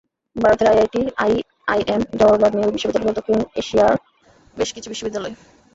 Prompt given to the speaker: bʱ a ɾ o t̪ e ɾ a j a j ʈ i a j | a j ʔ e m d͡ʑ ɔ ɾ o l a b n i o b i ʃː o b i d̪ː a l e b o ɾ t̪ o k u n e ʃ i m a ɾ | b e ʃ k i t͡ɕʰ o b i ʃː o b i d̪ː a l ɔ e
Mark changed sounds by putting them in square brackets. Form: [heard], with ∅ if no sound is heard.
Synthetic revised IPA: bʱ a ɾ o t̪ e ɾ a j a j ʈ i a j | a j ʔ e m d͡ʑ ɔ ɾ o l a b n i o b i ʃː o b i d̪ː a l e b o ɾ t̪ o k u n e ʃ i [∅] a ɾ | b e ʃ k i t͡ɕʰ [u] b i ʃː o b i d̪ː a l ɔ e